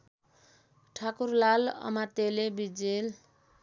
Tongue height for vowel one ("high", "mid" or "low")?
low